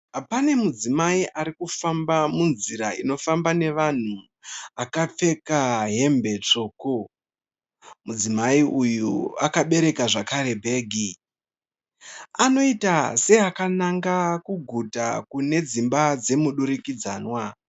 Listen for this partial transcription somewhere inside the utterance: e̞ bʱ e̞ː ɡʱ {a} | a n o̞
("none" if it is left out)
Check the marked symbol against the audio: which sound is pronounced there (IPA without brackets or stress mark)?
i